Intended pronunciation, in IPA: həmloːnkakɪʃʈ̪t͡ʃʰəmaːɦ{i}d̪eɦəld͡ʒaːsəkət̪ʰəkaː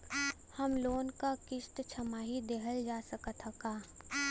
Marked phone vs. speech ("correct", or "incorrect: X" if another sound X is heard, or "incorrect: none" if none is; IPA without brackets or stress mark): correct